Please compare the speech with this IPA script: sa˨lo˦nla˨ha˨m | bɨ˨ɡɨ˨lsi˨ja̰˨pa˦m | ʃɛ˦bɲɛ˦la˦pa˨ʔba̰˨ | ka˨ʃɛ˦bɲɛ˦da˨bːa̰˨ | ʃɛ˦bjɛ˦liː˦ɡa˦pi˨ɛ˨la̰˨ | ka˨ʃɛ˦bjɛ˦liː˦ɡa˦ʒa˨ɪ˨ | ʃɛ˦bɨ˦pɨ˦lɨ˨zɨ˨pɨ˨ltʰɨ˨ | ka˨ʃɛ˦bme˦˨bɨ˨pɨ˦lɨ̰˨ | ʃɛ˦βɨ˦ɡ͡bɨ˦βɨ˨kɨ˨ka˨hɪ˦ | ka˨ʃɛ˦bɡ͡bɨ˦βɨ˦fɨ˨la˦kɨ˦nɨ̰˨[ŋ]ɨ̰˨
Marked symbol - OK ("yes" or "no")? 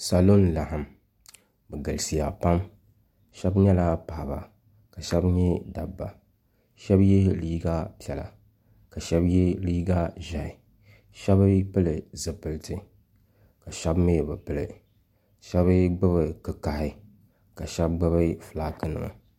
yes